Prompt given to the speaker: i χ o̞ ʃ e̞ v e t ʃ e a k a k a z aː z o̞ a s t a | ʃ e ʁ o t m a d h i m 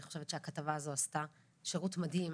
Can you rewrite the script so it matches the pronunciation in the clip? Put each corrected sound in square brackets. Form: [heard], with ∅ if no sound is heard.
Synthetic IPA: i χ o̞ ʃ e̞ v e t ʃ e a k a [t] a [v] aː z o̞ a s t a | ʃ e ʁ [u] t m a d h i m